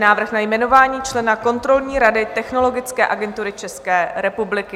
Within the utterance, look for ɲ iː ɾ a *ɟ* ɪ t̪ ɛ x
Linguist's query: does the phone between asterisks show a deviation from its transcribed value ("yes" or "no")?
yes